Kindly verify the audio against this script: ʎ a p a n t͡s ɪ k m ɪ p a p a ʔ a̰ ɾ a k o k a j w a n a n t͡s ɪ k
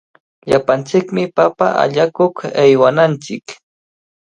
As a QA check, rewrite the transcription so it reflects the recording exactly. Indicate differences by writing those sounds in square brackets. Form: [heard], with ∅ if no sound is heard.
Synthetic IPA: ʎ a p a n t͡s ɪ k m ɪ p a p a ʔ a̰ [ʎ] a k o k a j w a n a n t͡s ɪ k